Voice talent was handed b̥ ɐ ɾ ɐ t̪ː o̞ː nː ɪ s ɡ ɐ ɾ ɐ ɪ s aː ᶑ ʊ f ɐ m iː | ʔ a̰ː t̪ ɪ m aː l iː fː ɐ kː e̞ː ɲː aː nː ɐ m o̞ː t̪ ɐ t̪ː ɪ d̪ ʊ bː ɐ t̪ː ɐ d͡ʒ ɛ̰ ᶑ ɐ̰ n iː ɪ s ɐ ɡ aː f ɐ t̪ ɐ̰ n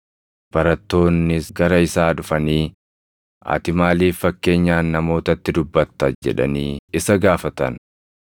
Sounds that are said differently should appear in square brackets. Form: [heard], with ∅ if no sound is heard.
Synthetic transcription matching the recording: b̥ ɐ ɾ ɐ t̪ː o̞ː nː ɪ s ɡ ɐ ɾ ɐ ɪ s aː ᶑ ʊ f ɐ [n] iː | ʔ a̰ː t̪ ɪ m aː l iː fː ɐ kː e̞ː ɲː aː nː ɐ m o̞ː t̪ ɐ t̪ː ɪ d̪ ʊ bː ɐ t̪ː ɐ d͡ʒ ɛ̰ ᶑ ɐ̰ n iː ɪ s ɐ ɡ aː f ɐ t̪ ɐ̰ n